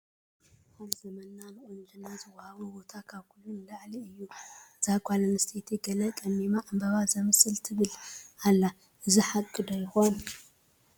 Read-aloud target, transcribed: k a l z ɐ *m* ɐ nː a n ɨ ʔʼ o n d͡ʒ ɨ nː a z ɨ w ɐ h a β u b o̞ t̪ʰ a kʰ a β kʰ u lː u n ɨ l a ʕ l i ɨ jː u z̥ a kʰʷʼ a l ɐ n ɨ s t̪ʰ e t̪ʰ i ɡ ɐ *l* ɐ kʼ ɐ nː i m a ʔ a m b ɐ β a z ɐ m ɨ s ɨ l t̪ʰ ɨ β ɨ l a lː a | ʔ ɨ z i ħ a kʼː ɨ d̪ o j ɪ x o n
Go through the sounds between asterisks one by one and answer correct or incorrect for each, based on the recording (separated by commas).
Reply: correct, correct